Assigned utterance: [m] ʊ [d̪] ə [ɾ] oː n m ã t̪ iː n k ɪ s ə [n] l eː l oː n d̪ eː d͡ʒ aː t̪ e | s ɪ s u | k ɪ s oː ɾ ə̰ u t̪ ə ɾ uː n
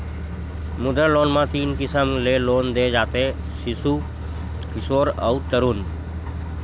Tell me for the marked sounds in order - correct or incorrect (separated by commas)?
correct, correct, incorrect, incorrect